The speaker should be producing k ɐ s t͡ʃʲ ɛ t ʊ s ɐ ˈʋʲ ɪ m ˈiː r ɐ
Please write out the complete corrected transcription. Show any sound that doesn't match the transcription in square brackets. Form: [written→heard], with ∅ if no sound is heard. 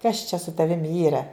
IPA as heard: k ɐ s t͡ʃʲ ɛ [t→s] ʊ [s→t] ɐ ˈʋʲ ɪ m ˈiː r ɐ